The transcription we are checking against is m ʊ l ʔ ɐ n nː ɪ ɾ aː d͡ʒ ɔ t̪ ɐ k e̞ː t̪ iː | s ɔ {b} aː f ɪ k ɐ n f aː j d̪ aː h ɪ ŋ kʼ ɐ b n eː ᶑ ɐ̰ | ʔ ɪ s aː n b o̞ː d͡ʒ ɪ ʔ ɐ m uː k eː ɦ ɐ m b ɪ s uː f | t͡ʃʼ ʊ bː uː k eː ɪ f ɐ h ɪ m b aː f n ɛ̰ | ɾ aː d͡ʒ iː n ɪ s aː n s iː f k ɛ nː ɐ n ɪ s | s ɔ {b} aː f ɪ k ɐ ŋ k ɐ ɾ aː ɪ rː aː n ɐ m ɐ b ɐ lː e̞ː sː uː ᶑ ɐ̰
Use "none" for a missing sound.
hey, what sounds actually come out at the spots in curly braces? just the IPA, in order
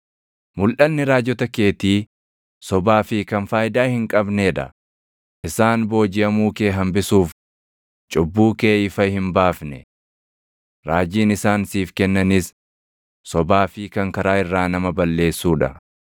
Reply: b, b

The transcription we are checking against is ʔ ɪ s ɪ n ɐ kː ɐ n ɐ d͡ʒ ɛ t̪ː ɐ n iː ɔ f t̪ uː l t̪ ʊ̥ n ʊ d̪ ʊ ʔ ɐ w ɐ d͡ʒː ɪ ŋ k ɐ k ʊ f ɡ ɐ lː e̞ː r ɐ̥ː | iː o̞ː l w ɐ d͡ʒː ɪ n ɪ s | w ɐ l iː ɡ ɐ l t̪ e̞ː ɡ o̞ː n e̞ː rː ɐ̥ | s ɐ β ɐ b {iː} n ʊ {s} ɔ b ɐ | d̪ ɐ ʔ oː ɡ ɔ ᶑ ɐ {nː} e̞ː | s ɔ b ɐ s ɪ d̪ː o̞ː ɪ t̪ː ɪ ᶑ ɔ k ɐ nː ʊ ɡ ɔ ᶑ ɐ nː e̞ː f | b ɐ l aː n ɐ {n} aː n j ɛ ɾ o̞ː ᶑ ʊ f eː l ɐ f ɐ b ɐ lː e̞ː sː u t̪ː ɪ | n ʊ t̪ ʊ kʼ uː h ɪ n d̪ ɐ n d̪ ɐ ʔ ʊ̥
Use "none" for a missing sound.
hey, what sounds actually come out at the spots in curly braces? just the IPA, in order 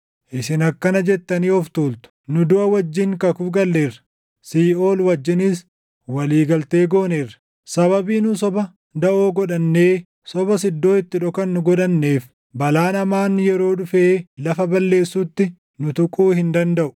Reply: iː, s, nː, m

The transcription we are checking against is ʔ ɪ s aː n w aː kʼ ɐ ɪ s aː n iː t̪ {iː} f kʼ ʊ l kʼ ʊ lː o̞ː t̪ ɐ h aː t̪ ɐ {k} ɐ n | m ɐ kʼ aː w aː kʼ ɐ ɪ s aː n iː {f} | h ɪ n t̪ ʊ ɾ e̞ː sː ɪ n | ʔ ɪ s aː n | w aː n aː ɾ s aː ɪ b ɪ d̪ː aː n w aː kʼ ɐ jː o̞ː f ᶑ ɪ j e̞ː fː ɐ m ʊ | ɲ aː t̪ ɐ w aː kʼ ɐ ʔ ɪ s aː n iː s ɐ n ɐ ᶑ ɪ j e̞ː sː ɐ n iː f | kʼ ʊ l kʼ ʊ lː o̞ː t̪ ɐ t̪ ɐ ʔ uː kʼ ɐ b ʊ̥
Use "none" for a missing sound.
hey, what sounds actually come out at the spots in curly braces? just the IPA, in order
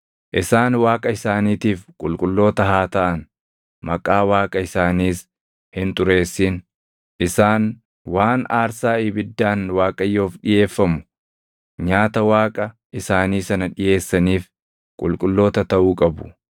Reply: iː, ʔ, s

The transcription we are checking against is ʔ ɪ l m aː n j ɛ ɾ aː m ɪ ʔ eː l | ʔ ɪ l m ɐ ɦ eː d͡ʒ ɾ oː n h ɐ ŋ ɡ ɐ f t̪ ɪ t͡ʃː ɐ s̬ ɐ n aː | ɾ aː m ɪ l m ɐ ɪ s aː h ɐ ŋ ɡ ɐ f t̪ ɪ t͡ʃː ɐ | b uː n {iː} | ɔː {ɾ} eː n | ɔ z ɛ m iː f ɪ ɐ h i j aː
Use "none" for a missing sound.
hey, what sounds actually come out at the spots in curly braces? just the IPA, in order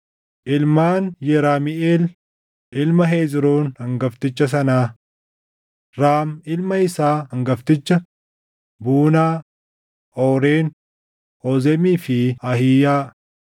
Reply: aː, ɾ

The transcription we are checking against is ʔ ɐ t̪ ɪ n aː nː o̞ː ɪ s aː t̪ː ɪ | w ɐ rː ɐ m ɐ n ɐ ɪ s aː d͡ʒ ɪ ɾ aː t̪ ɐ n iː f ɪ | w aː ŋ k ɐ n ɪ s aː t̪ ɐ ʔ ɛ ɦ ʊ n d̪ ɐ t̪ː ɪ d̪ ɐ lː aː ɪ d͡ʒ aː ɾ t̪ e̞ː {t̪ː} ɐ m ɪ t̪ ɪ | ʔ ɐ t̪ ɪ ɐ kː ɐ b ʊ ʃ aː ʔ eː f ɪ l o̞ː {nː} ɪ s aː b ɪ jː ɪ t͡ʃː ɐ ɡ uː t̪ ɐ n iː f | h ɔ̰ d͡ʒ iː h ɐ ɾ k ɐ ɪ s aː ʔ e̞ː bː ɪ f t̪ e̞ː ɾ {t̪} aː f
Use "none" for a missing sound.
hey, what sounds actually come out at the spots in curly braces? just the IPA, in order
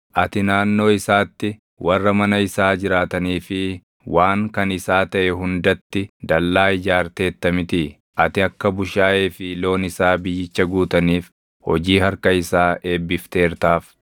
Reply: t̪ː, n, t̪

